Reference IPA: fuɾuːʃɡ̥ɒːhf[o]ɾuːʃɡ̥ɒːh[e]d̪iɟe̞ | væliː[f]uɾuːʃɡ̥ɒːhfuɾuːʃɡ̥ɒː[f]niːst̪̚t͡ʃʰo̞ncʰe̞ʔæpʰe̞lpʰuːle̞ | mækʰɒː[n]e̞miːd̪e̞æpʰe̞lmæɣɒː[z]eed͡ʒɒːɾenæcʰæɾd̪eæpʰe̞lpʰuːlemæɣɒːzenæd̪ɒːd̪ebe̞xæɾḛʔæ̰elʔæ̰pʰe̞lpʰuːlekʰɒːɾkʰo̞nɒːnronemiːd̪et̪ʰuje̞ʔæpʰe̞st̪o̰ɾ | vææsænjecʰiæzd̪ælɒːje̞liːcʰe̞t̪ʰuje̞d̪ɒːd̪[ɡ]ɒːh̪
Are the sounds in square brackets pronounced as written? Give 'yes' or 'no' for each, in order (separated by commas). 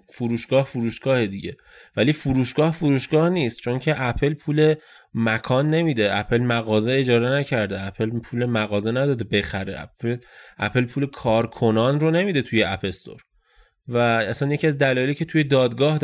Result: no, yes, yes, no, no, yes, yes